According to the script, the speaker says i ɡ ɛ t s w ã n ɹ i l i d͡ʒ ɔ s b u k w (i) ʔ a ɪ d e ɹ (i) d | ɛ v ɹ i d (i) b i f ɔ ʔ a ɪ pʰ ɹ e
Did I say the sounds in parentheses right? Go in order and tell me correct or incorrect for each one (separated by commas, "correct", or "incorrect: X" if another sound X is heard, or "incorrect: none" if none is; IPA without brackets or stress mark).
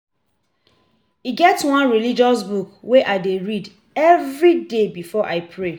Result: incorrect: e, correct, incorrect: e